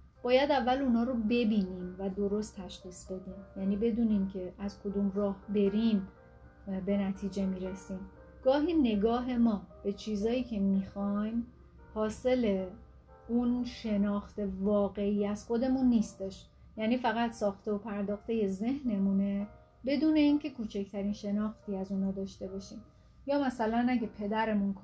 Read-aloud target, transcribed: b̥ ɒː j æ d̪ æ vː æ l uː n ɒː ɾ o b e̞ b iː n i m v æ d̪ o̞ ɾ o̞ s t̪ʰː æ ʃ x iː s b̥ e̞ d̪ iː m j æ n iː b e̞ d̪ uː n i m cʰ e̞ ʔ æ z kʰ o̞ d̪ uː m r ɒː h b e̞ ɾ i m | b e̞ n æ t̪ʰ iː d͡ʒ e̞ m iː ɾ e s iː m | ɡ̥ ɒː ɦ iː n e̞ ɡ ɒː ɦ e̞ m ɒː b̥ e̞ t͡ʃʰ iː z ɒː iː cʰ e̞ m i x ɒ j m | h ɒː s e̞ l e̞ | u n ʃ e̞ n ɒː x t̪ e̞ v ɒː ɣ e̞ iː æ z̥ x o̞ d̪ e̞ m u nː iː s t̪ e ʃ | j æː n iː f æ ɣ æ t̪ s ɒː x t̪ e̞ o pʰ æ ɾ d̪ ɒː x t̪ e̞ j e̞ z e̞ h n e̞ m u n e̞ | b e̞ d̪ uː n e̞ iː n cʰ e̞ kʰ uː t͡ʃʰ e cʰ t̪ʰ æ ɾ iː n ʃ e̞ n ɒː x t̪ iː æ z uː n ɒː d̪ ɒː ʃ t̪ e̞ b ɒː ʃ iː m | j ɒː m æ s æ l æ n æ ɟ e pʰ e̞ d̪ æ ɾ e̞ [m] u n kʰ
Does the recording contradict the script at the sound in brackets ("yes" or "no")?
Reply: no